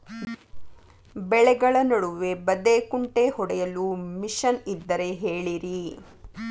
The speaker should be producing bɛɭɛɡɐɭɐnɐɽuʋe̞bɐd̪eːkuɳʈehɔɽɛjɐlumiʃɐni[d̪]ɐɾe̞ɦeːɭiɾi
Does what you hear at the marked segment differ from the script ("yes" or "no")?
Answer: yes